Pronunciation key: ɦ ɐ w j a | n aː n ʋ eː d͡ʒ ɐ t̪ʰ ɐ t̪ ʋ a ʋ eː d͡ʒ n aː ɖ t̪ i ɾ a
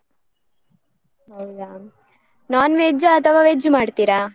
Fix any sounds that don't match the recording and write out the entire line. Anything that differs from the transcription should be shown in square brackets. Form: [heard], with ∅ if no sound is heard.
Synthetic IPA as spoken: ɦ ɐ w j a | n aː n ʋ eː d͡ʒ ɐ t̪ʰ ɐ [∅] ʋ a ʋ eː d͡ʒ [m] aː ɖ t̪ i ɾ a